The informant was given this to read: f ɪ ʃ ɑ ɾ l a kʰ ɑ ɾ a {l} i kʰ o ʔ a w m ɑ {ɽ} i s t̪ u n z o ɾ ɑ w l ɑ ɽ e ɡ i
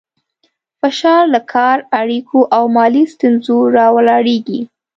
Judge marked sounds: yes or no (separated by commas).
no, no